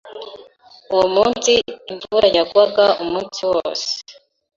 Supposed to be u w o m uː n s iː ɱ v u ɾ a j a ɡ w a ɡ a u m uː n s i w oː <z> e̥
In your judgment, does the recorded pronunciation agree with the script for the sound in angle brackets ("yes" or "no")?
no